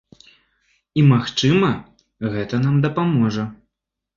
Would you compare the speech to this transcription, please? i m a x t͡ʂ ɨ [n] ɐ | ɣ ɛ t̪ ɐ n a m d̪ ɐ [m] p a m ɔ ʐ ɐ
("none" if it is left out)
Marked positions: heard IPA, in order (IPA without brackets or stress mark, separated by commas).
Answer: m, none